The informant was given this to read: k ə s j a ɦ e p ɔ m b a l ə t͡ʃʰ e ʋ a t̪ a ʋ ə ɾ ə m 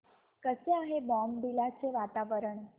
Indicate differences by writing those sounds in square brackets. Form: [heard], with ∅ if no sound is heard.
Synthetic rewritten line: k ə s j a ɦ e [b] ɔ m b [i] l [a] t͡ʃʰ e ʋ a t̪ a ʋ ə ɾ ə [ɳ]